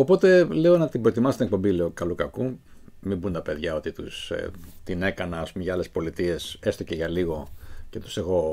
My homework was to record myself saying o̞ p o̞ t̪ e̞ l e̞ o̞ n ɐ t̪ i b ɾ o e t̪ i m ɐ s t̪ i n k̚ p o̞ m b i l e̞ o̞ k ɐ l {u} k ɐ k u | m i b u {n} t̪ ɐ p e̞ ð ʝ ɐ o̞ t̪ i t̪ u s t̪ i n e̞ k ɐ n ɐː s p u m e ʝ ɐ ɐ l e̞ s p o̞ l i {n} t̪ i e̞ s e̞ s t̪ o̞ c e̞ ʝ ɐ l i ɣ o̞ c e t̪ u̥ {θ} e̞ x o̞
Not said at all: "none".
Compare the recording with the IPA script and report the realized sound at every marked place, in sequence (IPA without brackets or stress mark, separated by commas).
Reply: u, n, none, s